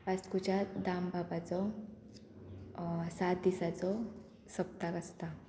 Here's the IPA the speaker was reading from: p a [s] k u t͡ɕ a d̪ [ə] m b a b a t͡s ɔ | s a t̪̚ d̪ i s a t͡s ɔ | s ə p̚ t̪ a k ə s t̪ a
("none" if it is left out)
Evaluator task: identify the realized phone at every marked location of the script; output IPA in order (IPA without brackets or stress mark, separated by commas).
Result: s, a